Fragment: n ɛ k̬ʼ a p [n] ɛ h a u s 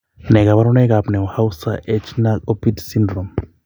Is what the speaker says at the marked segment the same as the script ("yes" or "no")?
yes